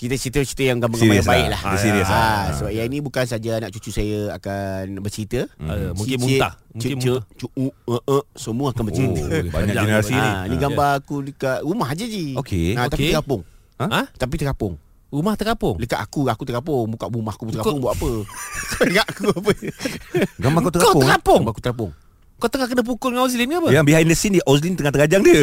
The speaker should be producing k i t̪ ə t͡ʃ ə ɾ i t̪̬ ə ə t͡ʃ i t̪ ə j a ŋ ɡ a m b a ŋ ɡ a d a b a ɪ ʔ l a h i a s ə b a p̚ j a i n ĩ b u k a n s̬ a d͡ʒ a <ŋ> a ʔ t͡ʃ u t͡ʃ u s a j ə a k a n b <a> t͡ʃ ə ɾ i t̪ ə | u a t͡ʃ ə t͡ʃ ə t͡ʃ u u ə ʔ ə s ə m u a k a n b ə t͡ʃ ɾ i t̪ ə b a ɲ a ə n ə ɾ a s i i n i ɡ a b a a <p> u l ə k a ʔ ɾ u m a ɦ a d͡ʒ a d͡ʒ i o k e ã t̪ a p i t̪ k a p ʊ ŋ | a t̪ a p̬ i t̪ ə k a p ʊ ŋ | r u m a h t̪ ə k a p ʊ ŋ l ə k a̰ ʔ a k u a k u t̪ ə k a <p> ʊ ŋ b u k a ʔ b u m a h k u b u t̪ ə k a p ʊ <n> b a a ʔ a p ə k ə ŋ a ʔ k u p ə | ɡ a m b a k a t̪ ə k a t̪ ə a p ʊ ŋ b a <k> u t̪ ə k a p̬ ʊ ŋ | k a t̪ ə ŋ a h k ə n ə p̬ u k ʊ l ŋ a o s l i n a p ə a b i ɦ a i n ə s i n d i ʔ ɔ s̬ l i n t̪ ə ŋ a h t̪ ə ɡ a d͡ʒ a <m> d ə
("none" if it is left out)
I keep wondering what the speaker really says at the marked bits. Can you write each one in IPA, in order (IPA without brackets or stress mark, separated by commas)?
n, ə, k, p, ŋ, k, ŋ